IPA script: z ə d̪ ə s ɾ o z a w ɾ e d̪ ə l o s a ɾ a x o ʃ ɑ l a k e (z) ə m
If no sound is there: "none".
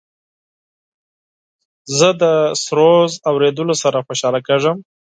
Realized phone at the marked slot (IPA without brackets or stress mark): ʐ